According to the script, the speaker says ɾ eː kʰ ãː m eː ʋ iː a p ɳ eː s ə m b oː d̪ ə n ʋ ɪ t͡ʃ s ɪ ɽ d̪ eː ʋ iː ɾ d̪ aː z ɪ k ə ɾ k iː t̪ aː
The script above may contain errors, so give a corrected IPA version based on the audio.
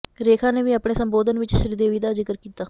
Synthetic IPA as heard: ɾ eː kʰ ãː n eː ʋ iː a p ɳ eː s ə m b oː d̪ ə n ʋ ɪ t͡ʃ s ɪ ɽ d̪ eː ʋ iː d̪ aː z ɪ k ə ɾ k iː t̪ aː